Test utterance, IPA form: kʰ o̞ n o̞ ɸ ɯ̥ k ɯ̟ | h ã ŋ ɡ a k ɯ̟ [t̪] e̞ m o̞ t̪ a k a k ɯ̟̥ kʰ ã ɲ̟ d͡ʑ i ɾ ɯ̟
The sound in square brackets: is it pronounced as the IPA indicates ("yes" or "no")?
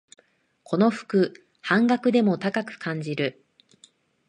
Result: no